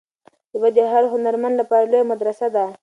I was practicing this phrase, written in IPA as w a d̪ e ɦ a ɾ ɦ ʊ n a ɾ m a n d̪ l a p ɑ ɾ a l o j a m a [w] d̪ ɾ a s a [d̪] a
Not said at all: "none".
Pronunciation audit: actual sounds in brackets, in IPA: none, d̪

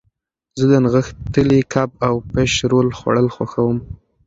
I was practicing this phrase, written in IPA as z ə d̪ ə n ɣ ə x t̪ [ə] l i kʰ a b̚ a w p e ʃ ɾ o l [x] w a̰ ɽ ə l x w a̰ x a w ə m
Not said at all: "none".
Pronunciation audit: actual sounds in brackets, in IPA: ə, x

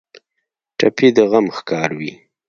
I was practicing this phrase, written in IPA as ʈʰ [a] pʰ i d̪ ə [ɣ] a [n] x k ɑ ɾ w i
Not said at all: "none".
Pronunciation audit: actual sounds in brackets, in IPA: a, ɣ, m

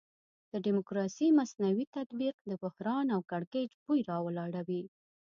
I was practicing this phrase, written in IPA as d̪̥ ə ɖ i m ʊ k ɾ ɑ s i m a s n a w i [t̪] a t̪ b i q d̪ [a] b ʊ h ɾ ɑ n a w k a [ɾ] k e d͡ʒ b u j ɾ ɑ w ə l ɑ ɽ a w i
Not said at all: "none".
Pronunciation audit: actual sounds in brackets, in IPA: t̪, ə, ɽ

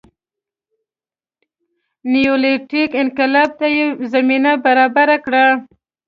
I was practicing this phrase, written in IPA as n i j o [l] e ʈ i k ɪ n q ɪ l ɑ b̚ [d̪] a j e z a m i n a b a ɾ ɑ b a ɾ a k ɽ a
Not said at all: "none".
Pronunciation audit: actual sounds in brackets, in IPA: l, t̪

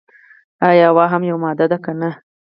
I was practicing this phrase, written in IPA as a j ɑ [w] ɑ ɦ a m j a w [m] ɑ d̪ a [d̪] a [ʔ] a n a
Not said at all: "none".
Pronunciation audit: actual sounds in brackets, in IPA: w, m, d̪, k

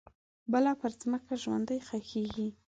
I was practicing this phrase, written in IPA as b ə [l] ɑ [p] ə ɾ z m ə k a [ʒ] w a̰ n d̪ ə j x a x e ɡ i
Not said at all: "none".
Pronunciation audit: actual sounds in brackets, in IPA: l, p, ʒ

